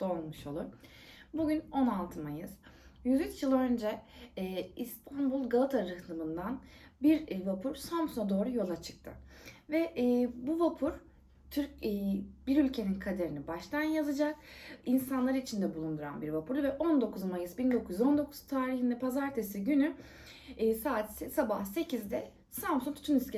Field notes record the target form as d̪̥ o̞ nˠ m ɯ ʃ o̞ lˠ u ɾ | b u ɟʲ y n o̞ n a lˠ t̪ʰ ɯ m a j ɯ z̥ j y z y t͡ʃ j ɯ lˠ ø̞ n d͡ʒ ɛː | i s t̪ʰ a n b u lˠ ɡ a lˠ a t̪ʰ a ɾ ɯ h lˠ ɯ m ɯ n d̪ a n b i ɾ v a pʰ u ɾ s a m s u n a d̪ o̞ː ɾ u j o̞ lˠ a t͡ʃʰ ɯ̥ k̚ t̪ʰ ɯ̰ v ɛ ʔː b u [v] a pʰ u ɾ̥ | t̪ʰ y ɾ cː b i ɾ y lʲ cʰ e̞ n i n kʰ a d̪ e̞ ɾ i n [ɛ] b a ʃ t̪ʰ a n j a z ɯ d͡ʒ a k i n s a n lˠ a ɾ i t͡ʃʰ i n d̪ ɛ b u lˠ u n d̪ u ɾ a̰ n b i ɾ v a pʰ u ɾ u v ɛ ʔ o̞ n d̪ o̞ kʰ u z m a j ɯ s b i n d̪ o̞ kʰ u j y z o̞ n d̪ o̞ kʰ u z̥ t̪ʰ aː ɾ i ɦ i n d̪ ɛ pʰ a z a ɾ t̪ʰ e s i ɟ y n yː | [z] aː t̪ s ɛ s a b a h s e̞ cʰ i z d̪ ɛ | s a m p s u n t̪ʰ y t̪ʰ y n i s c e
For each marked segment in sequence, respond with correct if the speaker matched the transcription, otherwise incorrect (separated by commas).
correct, incorrect, incorrect